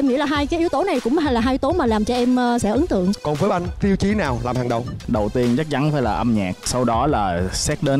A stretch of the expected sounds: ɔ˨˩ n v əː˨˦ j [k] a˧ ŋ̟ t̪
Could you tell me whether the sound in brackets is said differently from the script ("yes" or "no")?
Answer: yes